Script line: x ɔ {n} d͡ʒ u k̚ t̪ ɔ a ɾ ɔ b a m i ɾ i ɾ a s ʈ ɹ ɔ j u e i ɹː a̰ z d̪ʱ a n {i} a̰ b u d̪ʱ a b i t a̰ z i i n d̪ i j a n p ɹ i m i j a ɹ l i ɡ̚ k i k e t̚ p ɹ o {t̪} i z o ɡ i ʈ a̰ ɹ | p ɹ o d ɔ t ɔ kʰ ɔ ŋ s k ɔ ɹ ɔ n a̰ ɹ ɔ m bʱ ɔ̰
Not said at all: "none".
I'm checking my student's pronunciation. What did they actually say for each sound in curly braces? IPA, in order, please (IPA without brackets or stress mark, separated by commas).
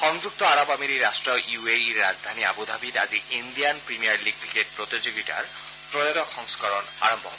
ŋ, i, t̪